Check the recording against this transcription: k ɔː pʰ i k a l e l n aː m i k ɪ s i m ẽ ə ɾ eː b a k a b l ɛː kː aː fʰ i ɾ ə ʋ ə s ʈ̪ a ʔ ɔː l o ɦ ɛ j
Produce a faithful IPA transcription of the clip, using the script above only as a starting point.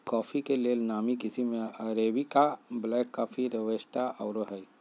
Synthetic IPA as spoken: k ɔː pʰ i k e l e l n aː m i k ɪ s i m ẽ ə ɾ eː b i k a b l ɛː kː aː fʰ i ɾ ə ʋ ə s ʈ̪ a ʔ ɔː ɾ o ɦ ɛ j